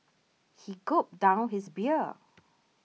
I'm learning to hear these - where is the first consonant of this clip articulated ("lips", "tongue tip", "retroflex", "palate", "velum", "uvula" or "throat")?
throat